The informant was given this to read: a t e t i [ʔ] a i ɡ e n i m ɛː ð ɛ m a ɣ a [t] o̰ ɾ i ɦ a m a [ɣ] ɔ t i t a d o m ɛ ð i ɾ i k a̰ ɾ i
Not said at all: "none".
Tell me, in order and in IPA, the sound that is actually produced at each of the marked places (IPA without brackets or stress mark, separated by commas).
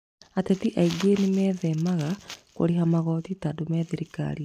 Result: ʔ, k, ɣ